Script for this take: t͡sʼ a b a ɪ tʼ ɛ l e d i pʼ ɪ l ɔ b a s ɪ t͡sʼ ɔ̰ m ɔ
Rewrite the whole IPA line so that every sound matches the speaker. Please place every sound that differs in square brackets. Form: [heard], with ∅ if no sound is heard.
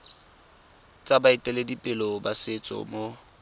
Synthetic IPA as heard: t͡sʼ a b a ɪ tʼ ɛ l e d i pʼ ɪ l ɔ b a s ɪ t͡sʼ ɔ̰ m [o]